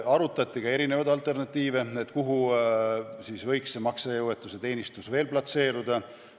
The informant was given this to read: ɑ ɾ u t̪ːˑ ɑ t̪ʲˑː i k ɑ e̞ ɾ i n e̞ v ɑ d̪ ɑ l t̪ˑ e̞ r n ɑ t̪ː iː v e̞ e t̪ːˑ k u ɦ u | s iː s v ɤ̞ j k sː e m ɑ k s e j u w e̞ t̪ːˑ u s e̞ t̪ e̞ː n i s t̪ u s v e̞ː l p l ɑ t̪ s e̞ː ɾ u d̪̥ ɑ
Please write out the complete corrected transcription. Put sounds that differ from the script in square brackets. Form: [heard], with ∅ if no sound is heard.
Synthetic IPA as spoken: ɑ ɾ u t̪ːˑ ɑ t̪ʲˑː i k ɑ e̞ ɾ i n e̞ v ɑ d̪ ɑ l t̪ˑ e̞ r n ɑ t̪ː iː v e̞ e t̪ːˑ k u ɦ u | s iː s v ɤ̞ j k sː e m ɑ k s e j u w e̞ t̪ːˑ u s e̞ t̪ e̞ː n i s t̪ u s v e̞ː l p l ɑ t̪ s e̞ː ɾ u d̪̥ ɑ